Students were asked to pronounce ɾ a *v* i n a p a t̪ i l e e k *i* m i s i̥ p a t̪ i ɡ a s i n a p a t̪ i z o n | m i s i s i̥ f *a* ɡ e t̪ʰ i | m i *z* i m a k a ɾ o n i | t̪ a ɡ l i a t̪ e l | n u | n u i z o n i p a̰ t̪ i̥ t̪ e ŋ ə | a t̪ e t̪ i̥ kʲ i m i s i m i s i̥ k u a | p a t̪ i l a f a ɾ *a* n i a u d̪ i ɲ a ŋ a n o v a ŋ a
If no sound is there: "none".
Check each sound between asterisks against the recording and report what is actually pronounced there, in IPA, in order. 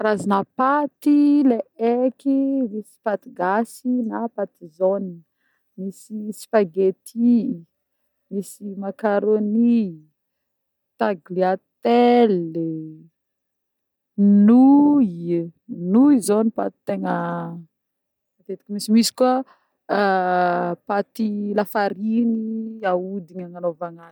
z, i, a, s, i

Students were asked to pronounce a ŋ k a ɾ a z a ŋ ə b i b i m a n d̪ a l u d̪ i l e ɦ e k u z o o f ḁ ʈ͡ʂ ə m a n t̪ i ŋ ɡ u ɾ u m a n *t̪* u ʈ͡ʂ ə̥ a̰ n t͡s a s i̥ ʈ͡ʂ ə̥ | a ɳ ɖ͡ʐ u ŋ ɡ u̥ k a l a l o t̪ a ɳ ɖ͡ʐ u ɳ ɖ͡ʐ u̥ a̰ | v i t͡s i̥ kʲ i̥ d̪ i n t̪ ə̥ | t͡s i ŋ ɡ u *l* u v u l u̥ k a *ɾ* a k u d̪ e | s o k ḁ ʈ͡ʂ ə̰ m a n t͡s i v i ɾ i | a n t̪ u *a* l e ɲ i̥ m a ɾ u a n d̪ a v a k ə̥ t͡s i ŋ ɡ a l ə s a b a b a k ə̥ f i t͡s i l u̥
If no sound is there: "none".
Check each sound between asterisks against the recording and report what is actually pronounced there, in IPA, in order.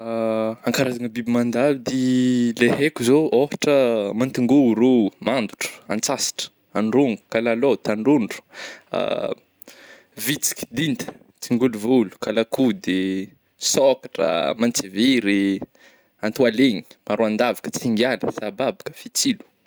d̪, l, l, a

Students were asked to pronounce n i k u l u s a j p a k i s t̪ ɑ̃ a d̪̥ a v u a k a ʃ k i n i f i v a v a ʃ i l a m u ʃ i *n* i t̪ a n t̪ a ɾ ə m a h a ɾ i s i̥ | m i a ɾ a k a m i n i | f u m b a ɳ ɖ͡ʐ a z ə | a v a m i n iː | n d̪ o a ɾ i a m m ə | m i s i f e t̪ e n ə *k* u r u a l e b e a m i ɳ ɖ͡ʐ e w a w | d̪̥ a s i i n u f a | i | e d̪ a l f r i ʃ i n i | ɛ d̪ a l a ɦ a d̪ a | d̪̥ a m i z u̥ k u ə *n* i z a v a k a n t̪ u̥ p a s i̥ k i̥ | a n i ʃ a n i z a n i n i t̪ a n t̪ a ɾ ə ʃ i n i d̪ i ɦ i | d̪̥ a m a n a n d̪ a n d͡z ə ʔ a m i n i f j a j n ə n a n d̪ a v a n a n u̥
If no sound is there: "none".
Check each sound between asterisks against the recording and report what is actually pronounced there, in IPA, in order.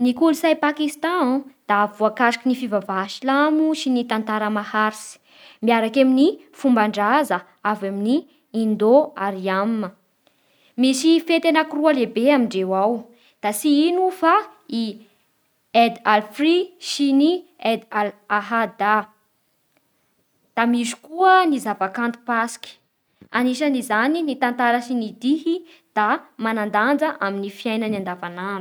n, k, n

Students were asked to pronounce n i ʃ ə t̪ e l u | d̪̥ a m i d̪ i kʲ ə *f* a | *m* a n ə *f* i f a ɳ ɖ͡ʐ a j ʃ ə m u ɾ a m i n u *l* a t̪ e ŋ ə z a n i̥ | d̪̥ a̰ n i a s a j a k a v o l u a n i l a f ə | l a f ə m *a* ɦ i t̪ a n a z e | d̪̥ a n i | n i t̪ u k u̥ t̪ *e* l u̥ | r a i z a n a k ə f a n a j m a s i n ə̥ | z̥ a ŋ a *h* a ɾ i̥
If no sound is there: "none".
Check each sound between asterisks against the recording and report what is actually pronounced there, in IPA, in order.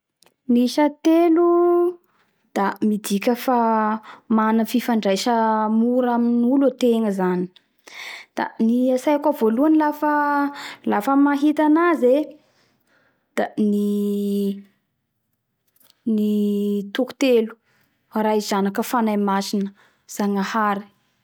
f, m, f, l, a, e, h

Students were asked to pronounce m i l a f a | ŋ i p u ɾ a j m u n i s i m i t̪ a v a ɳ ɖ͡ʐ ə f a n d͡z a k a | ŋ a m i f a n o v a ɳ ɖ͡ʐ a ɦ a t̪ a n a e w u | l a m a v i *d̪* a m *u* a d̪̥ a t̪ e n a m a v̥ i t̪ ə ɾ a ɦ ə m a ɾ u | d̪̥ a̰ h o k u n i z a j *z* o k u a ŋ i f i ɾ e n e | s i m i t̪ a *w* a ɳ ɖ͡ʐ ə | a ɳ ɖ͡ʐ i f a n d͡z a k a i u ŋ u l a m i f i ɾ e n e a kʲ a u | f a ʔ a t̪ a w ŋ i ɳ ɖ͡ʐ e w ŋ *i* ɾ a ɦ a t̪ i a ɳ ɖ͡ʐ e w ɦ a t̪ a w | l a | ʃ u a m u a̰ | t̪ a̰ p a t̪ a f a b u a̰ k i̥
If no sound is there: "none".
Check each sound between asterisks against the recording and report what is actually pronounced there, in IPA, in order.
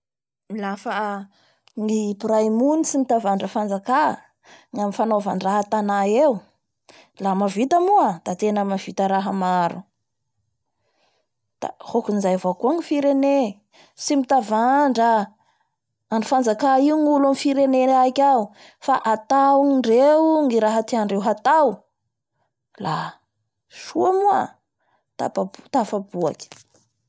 t̪, u, v, v, i

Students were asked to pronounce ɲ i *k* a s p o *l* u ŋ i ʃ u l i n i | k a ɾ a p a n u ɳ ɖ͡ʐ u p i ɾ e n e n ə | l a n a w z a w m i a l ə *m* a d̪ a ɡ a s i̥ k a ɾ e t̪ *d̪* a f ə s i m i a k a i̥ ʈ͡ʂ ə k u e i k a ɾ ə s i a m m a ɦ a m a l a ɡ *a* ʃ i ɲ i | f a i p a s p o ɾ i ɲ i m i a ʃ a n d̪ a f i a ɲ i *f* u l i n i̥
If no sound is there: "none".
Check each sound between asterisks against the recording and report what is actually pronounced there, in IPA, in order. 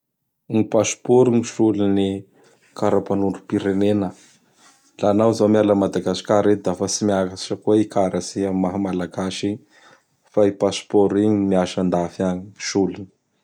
p, ɾ, m, d̪, a, ʃ

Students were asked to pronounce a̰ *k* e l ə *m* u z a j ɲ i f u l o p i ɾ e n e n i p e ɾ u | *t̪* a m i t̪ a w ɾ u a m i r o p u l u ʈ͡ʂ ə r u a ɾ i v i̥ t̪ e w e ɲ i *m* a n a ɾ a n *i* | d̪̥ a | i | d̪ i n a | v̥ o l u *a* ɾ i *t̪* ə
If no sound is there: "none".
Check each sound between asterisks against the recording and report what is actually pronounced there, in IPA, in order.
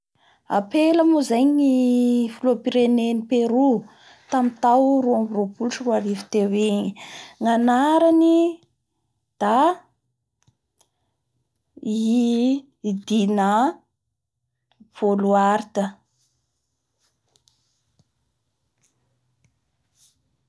p, m, t̪, ŋ, i, a, t̪

